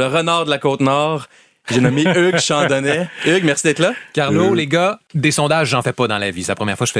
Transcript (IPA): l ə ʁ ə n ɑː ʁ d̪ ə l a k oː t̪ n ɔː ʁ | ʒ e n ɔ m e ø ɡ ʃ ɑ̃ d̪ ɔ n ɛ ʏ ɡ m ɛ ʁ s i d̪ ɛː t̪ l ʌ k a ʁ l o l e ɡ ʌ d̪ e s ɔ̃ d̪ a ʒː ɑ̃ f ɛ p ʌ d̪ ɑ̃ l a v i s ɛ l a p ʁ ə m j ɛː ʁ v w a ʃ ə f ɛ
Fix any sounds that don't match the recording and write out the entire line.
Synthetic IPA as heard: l ə ʁ ə n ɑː ʁ d̪ ə l a k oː t̪ n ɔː ʁ | ʒ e n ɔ m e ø ɡ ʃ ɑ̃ d̪ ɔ n ɛ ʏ ɡ m ɛ ʁ s i d̪ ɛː t̪ l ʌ k a ʁ l o l e ɡ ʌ d̪ e s ɔ̃ d̪ a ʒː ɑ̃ f ɛ p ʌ d̪ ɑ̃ l a v i s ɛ l a p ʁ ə m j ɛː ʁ f w a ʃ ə f ɛ